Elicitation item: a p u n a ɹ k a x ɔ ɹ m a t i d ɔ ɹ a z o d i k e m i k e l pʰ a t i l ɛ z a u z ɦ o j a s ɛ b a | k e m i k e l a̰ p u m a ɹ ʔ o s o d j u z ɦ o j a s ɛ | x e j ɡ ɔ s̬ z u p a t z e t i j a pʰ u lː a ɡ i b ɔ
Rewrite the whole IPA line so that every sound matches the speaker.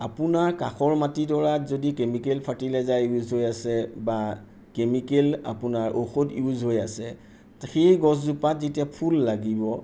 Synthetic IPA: a p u n a ɹ k a x ɔ ɹ m a t i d ɔ ɹ a z o d i k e m i k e l pʰ a t i l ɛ z a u z ɦ o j a s ɛ b a | k e m i k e l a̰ p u n a ɹ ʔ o x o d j u z ɦ o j a s ɛ | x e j ɡ ɔ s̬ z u p a t z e t i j a pʰ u lː a ɡ i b ɔ